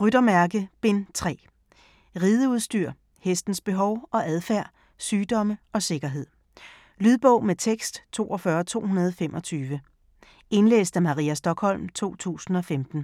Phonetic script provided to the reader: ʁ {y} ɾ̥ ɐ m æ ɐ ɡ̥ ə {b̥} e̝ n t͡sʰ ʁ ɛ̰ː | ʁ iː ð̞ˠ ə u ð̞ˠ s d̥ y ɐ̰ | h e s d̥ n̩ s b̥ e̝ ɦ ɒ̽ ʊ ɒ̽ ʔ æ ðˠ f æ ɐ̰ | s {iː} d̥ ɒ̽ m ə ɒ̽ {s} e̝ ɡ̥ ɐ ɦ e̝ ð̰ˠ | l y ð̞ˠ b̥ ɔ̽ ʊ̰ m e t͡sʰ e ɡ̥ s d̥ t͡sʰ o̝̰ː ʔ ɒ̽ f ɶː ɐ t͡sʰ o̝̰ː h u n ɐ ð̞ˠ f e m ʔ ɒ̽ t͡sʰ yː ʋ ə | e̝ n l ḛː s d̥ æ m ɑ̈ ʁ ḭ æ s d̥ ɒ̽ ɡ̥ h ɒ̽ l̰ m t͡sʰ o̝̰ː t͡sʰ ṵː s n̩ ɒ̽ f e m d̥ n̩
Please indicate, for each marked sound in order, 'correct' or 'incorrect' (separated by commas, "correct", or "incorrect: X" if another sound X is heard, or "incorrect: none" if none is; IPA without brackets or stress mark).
correct, correct, incorrect: yː, correct